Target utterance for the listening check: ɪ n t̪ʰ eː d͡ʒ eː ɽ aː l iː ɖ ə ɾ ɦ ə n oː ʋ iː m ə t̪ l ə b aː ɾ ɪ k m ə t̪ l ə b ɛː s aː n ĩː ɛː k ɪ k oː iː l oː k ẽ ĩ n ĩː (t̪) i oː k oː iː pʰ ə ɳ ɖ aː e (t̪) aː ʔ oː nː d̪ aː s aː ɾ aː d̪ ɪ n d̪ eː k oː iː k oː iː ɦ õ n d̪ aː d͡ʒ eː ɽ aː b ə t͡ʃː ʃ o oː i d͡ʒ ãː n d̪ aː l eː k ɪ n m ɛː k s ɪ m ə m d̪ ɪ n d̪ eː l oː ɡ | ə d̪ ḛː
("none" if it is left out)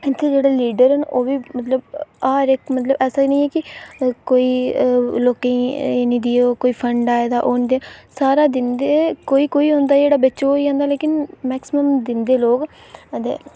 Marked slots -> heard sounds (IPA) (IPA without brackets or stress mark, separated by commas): d̪, d̪